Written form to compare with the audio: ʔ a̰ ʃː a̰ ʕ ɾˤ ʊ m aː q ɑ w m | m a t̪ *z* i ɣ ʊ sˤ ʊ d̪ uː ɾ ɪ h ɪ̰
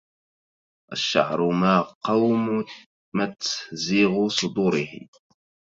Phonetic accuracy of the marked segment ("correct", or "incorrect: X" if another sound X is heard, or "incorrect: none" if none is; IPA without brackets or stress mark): correct